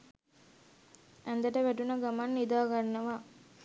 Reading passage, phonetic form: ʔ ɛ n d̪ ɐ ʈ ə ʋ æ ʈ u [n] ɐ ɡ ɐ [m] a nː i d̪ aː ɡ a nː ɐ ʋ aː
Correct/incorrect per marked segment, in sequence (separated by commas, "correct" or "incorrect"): correct, correct